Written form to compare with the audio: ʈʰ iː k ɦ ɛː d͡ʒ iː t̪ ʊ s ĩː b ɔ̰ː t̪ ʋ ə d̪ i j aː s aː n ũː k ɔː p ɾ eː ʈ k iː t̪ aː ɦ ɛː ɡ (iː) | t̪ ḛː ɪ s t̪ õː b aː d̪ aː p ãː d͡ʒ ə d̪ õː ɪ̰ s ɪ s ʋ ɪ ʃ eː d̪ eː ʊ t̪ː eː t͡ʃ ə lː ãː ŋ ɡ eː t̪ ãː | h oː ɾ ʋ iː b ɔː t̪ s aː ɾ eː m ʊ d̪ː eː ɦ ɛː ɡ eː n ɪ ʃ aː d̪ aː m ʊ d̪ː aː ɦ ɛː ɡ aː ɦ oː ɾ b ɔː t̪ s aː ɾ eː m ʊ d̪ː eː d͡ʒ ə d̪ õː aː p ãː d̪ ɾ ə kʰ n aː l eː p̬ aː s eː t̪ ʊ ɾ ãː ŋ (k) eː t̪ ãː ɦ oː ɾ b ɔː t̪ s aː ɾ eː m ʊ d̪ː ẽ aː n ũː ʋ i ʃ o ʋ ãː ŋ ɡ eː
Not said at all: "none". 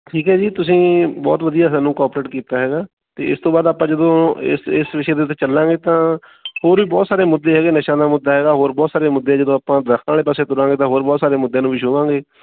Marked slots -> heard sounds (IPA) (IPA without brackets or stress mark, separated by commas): aː, ɡ